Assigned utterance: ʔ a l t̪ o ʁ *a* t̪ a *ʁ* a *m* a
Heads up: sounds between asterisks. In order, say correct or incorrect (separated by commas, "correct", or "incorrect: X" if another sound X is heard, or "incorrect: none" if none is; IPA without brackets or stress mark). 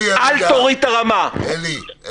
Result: incorrect: i, correct, correct